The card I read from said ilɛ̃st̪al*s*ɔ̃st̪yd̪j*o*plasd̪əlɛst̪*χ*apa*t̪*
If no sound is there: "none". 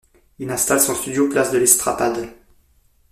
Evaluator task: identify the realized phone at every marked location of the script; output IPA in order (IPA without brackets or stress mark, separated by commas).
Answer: s, o, χ, d̪